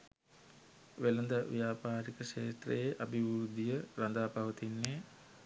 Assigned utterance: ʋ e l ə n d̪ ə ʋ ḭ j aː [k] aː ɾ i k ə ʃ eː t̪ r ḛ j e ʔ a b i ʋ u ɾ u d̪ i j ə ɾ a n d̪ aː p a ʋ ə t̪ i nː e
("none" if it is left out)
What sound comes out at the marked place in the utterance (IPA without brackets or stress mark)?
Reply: p